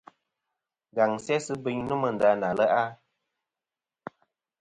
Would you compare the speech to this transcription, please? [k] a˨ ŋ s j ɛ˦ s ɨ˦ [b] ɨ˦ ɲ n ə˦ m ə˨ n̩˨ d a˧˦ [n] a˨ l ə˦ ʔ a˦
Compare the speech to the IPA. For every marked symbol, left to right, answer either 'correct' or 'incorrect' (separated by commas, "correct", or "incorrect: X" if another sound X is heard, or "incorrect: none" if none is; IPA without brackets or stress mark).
incorrect: ɡ, correct, correct